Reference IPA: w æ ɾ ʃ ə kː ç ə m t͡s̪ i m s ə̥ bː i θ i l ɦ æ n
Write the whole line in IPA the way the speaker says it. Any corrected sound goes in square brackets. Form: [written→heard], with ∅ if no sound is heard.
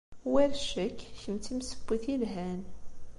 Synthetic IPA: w æ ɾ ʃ ə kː ç ə m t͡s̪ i m s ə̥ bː i θ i l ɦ æ n